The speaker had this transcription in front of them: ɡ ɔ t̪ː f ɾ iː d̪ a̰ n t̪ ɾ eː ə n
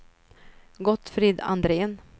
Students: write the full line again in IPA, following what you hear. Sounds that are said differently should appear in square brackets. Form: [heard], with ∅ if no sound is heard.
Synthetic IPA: ɡ ɔ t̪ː f ɾ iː d̪ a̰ n [d̪] ɾ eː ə n